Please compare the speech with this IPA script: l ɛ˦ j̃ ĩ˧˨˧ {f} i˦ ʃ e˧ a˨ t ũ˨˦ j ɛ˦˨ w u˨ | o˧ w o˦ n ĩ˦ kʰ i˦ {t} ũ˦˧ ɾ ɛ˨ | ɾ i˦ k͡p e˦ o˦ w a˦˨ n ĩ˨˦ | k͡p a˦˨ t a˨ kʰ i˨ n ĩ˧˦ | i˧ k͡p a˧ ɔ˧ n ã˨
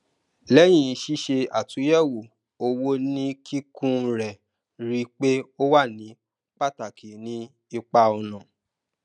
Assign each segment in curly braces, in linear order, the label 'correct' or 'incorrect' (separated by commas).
incorrect, incorrect